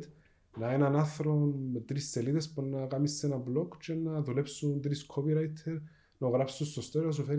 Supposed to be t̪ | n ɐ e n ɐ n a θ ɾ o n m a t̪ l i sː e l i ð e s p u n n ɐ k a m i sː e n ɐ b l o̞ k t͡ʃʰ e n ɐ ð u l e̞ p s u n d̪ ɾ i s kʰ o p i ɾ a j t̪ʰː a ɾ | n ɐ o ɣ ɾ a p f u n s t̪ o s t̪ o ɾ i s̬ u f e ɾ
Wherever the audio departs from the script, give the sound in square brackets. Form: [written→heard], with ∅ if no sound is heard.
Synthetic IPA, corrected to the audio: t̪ | n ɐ e n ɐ n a θ ɾ o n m [a→e] t̪ [l→ɾ] i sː e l i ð e s p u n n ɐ k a m i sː e n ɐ b l o̞ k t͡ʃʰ e n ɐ ð u l e̞ p s u n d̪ ɾ i s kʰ o p i ɾ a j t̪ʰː [a→e] ɾ | n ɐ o ɣ ɾ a p [f→s] u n s t̪ o s t̪ o ɾ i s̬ u f e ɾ